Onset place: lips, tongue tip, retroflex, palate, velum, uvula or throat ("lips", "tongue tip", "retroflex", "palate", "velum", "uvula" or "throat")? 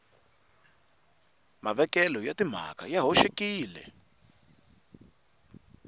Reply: lips